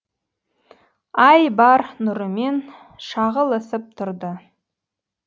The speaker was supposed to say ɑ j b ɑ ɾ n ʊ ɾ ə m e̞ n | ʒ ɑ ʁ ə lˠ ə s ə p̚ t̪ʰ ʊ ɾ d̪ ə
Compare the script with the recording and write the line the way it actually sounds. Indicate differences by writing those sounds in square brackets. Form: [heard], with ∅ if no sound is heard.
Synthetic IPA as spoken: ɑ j b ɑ ɾ n ʊ ɾ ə m e̞ n | [ʃ] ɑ ʁ ə lˠ ə s ə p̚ t̪ʰ ʊ ɾ d̪ ə